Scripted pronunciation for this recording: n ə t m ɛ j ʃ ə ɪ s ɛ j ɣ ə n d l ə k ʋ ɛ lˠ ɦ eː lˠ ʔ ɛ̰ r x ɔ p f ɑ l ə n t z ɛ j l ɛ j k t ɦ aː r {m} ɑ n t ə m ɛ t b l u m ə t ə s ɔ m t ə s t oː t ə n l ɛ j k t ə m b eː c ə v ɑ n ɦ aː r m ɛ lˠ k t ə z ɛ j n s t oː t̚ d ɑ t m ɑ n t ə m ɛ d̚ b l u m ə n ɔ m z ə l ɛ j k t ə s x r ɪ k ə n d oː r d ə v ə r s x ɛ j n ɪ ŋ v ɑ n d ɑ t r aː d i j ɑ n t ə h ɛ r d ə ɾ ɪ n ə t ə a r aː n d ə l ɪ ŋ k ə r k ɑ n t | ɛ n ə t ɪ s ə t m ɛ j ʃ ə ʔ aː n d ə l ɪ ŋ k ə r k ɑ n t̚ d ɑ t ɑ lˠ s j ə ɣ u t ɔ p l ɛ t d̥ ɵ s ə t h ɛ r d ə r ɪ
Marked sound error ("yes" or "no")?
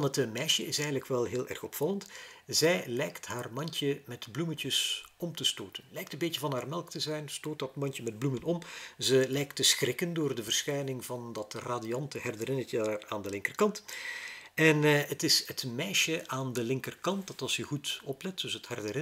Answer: no